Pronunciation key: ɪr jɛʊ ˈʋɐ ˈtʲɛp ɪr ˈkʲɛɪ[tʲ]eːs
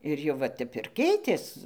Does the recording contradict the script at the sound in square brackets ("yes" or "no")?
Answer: no